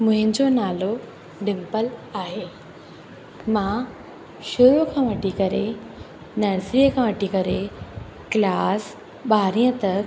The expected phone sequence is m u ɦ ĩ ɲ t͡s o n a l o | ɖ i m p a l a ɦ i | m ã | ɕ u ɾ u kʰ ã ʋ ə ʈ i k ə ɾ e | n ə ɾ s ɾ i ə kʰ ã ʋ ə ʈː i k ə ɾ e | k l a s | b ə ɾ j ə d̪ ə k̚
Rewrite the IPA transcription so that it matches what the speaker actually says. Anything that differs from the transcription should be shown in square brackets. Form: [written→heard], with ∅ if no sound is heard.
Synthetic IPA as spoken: m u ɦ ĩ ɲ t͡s o n a l o | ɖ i m p [a→ə] l a ɦ [i→e] | m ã | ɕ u ɾ u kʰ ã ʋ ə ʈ i k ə ɾ e | n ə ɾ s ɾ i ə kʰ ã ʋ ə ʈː i k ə ɾ e | k l a s | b [ə→a] ɾ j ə [d̪→t̪] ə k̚